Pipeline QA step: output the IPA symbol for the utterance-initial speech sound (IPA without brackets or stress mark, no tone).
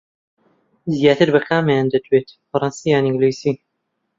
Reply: z